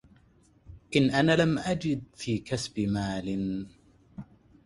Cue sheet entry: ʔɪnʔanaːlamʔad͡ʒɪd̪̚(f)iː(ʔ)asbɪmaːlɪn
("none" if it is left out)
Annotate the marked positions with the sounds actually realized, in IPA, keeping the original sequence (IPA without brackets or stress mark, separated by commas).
f, k